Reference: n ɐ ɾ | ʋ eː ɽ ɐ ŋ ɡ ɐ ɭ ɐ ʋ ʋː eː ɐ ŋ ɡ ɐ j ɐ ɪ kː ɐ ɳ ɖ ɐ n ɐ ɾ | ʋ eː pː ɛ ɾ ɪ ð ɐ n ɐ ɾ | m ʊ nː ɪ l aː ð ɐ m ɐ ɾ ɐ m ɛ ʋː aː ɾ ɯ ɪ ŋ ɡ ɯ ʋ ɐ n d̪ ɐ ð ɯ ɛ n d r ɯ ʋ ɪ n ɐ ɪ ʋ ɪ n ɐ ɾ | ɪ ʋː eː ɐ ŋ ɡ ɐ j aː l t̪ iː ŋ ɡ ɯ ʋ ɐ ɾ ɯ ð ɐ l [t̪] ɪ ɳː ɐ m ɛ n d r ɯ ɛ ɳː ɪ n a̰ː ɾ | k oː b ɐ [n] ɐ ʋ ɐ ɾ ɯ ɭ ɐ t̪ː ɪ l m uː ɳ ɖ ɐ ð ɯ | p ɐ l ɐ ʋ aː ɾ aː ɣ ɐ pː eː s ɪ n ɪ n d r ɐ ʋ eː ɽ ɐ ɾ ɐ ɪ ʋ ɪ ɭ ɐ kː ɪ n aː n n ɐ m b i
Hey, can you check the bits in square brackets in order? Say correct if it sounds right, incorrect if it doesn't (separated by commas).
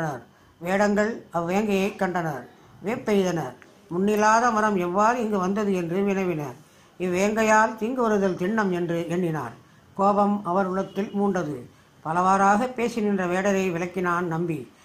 correct, incorrect